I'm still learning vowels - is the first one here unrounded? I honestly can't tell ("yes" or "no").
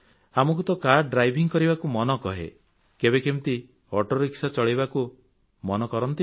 yes